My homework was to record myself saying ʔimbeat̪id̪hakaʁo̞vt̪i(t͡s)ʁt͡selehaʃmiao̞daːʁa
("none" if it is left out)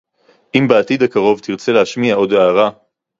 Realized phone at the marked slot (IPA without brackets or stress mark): none